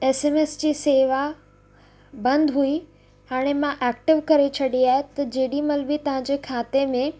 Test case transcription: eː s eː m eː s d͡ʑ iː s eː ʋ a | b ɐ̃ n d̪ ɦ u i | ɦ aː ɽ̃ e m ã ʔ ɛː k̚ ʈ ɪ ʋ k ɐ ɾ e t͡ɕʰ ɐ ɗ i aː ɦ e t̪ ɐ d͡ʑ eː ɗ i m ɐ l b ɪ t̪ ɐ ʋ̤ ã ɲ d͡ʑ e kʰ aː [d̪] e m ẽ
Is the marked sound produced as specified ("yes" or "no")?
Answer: no